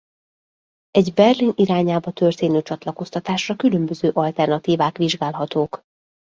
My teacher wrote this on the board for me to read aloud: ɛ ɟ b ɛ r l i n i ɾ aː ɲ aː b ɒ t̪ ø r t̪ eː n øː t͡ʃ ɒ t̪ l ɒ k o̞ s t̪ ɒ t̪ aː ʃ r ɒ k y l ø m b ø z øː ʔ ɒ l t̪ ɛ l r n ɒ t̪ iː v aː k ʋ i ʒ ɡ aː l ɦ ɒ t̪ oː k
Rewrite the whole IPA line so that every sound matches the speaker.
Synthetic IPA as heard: ɛ ɟ b ɛ r l i n i ɾ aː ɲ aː b ɒ t̪ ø r t̪ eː n øː t͡ʃ ɒ t̪ l ɒ k o̞ s t̪ ɒ t̪ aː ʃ r ɒ k y l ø m b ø z øː ʔ ɒ l t̪ ɛ r n ɒ t̪ iː v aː k ʋ i ʒ ɡ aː l ɦ ɒ t̪ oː k